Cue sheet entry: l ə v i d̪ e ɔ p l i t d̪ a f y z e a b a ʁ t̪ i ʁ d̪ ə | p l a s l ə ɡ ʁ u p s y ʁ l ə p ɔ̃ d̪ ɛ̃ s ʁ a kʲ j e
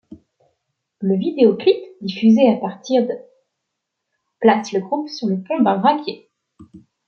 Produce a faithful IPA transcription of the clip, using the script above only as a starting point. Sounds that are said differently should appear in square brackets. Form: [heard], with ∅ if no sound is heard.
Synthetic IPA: l ə v i d̪ e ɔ [k] l i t d̪ [i] f y z e a [p] a ʁ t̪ i ʁ d̪ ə | p l a s l ə ɡ ʁ u p s y ʁ l ə p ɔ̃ d̪ ɛ̃ [∅] ʁ a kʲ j e